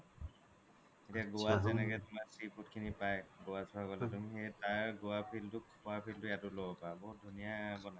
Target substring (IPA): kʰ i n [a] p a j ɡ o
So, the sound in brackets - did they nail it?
no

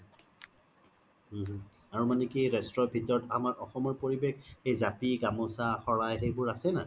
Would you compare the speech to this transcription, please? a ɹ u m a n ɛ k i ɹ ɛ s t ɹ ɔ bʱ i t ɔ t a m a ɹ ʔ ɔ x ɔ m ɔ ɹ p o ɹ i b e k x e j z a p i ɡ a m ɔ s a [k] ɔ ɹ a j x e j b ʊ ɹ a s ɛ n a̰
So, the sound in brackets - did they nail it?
no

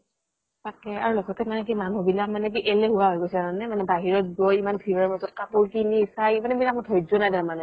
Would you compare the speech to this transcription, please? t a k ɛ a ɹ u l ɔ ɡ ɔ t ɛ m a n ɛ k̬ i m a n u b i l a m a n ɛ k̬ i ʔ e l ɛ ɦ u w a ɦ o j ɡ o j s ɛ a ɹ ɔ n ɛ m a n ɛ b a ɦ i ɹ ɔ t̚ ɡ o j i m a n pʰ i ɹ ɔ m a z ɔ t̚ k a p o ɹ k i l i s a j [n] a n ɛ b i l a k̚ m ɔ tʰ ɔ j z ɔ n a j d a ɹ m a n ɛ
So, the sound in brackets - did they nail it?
no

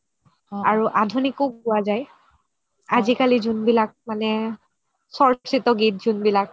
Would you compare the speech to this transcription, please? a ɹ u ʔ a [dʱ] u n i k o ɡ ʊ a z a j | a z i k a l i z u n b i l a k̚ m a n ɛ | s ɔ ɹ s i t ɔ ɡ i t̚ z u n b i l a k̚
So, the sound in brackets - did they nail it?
yes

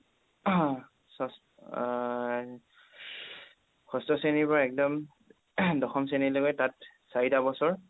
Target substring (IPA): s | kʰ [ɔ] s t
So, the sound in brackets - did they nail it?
yes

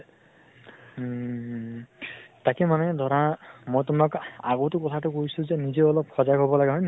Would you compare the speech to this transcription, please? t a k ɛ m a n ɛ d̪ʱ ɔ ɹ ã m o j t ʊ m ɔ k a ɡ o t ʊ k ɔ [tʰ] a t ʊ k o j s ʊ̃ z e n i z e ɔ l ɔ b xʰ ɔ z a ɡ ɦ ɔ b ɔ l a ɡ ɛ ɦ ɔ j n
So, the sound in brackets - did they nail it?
yes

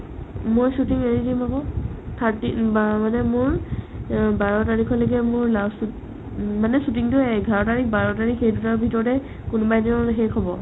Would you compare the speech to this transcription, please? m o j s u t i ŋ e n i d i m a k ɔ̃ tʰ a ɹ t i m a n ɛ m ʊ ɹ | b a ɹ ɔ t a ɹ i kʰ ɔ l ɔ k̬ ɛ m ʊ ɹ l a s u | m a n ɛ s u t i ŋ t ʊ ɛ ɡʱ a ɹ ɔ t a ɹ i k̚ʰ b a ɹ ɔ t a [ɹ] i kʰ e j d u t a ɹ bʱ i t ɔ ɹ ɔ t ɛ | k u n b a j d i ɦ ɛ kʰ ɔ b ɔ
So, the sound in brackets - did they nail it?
yes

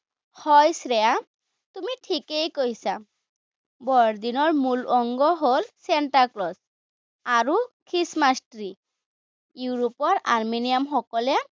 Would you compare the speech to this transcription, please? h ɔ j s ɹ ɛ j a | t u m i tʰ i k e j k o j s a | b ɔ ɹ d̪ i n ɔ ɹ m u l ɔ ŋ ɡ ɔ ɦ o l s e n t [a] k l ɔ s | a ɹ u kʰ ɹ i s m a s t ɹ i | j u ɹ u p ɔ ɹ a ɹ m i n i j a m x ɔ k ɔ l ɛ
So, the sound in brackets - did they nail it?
yes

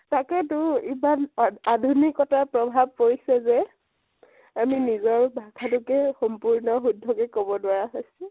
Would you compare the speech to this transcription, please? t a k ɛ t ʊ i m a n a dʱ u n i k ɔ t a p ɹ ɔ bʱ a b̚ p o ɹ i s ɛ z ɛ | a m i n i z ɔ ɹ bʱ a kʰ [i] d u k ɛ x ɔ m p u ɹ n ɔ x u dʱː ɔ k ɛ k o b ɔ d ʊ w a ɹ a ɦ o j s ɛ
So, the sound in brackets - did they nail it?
no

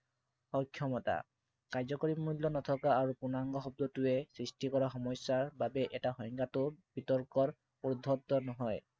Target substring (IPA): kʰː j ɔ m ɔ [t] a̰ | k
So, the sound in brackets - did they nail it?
yes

